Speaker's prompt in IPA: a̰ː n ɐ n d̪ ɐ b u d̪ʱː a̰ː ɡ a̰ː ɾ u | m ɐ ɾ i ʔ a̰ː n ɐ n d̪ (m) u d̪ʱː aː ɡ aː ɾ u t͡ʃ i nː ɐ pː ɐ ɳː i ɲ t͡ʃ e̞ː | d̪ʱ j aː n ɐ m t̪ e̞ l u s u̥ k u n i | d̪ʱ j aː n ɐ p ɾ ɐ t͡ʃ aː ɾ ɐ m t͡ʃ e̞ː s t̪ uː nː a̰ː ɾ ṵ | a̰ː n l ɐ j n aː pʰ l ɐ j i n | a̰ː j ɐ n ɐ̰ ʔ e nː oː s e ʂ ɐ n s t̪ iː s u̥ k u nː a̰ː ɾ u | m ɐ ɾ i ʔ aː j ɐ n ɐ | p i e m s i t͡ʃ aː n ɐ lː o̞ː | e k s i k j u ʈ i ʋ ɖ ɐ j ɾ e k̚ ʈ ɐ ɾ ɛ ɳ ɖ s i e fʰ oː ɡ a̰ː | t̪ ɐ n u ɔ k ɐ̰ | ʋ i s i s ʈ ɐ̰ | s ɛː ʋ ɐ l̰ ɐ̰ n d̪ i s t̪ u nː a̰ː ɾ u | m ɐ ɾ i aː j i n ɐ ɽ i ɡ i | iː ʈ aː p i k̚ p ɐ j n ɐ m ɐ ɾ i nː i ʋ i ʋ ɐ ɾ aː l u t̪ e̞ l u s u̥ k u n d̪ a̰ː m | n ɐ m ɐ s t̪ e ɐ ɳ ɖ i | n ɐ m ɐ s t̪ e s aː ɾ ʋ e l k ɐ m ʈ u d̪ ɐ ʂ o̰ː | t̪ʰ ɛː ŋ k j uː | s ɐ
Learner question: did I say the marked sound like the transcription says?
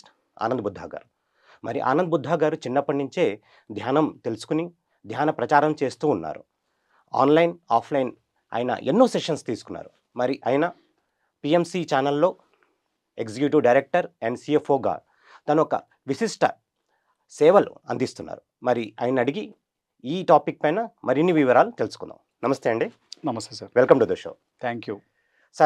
no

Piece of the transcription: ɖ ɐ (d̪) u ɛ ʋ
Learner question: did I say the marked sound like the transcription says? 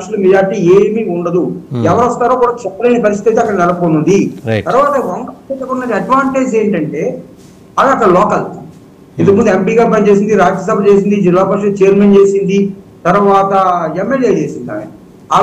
yes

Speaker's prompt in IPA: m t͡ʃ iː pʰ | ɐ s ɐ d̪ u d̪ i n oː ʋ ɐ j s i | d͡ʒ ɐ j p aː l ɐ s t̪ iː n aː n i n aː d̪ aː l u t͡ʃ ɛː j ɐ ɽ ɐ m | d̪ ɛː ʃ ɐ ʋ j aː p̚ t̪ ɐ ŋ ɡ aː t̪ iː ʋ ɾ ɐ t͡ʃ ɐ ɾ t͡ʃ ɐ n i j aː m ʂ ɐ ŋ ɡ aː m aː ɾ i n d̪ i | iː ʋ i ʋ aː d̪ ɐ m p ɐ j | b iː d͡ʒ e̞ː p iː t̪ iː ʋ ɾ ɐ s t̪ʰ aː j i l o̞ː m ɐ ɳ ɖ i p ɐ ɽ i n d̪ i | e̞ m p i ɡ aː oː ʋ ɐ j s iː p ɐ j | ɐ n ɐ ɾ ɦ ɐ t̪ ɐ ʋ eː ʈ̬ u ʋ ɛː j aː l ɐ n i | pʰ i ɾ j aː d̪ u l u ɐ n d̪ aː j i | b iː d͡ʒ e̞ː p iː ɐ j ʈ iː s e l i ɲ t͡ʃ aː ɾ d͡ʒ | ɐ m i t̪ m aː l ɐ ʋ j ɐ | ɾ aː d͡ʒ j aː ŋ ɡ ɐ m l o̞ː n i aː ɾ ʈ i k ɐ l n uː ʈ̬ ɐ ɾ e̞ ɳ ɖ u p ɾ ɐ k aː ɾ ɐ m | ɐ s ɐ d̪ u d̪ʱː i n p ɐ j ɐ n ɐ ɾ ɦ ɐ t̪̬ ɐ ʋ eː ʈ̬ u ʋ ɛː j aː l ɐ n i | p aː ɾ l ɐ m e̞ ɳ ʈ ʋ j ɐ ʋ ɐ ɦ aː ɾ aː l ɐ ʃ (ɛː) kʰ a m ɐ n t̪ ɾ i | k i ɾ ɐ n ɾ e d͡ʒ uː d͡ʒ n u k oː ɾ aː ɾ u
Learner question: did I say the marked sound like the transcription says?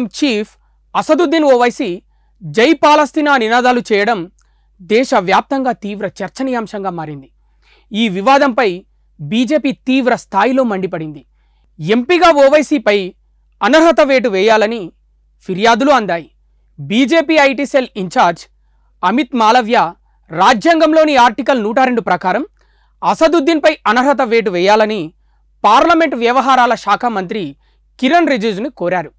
no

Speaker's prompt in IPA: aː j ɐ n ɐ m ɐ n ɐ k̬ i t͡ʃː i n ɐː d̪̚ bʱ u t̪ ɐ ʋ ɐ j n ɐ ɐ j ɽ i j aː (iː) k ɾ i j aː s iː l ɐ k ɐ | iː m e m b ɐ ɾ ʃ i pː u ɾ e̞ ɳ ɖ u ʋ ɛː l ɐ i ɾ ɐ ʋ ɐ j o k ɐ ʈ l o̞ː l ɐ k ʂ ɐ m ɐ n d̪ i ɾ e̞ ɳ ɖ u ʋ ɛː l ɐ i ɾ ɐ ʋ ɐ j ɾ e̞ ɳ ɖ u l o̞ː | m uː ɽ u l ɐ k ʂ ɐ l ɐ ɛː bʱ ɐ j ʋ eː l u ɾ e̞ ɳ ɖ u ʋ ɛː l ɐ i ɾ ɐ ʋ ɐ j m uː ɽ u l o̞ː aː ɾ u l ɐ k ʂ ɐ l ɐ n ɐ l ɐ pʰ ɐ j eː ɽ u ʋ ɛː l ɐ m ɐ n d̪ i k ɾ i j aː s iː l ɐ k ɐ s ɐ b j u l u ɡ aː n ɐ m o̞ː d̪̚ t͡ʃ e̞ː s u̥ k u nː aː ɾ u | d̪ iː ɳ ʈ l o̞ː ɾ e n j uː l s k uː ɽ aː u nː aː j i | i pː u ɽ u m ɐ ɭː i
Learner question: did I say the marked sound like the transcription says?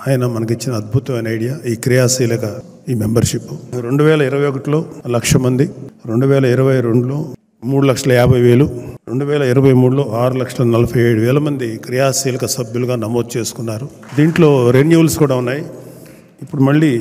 yes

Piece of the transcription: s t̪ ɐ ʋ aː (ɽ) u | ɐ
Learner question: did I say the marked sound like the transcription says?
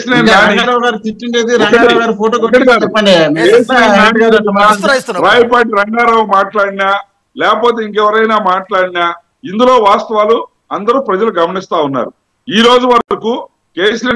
no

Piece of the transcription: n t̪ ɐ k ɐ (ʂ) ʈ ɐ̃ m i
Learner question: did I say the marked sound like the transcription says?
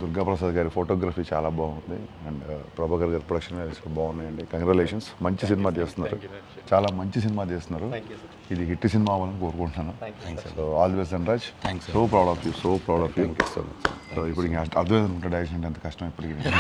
yes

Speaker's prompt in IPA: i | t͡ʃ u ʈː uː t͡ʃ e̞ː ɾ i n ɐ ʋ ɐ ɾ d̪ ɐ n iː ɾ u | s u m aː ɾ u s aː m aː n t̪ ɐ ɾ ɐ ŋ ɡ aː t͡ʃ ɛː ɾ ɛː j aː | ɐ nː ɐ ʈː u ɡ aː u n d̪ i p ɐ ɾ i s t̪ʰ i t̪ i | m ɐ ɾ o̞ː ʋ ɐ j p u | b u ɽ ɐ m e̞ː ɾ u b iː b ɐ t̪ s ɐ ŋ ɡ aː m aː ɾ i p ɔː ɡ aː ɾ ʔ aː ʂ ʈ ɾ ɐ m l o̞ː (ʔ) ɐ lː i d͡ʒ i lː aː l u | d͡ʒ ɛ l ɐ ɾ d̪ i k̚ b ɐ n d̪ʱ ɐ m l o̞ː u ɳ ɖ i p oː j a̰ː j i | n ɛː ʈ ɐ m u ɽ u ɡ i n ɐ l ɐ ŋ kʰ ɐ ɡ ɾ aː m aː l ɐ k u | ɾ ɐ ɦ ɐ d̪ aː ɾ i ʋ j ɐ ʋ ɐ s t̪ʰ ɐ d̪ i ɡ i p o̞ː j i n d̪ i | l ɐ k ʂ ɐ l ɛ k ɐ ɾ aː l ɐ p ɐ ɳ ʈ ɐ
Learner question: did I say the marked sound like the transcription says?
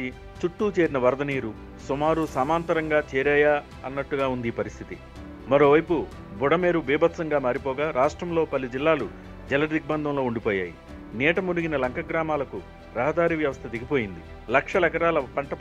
no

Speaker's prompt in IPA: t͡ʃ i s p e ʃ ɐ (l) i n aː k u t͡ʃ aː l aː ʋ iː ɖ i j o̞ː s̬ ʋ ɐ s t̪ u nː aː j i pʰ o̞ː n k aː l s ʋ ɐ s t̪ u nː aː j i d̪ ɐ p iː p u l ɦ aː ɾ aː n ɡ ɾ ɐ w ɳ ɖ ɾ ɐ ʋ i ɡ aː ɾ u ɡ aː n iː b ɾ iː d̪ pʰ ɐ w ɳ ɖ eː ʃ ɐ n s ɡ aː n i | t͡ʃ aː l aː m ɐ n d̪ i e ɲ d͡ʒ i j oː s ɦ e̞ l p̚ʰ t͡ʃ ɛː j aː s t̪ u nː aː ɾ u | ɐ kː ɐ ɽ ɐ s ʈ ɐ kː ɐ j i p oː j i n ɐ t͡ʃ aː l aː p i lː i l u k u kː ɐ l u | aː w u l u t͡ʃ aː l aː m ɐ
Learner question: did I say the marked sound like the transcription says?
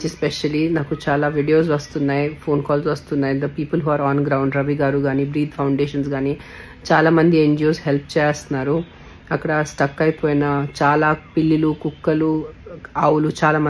yes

